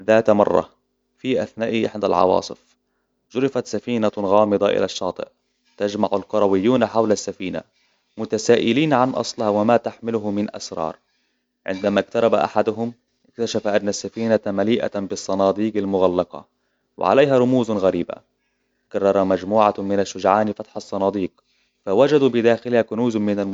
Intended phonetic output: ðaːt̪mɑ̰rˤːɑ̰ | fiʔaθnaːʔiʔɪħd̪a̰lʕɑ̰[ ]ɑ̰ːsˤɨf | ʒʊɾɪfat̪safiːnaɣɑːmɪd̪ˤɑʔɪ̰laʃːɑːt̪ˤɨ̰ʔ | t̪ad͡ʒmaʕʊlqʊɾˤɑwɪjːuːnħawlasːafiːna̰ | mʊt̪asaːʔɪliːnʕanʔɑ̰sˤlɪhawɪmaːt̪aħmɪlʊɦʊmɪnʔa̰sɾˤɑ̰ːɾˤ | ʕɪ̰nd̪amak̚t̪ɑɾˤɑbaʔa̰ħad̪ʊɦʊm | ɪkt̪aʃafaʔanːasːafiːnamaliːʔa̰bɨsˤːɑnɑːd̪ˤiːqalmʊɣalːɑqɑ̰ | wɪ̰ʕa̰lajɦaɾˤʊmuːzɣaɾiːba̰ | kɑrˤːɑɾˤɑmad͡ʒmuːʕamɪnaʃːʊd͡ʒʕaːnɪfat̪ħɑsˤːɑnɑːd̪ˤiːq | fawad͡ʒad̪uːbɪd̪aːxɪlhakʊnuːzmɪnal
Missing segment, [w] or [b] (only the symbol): w